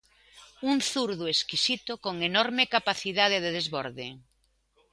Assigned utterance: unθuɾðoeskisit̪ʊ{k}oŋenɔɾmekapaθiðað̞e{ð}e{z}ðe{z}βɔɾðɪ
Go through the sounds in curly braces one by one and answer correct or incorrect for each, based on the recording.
correct, correct, incorrect: none, correct

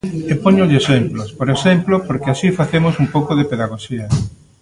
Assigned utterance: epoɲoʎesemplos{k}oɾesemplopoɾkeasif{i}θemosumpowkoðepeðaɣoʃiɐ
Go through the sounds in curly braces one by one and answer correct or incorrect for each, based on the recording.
incorrect: p, incorrect: a

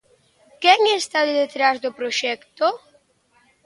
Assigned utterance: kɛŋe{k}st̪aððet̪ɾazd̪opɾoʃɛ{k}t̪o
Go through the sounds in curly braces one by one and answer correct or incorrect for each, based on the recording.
incorrect: none, correct

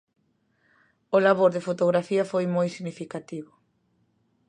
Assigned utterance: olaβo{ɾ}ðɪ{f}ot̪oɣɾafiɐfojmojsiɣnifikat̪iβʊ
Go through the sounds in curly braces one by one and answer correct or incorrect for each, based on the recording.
correct, correct

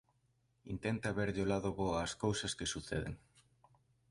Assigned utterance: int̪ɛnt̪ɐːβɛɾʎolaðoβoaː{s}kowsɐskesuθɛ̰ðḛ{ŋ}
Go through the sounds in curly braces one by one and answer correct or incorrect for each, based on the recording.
correct, correct

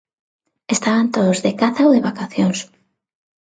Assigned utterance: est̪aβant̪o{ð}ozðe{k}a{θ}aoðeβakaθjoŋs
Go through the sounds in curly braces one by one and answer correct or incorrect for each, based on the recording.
correct, correct, correct

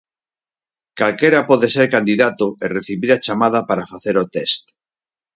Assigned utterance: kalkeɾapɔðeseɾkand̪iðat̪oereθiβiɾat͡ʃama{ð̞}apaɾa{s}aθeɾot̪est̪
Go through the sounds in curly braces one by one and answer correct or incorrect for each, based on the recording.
correct, incorrect: f

